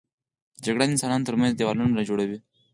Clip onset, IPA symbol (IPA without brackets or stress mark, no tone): d͡ʒ